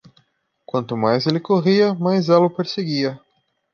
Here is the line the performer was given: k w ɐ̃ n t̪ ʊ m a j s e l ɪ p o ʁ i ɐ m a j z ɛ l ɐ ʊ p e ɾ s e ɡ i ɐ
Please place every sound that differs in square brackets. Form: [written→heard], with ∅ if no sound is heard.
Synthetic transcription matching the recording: k w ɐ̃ n t̪ ʊ m a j [s→z] e l ɪ [p→k] o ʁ i ɐ m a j z ɛ l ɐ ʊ p e ɾ s e ɡ i ɐ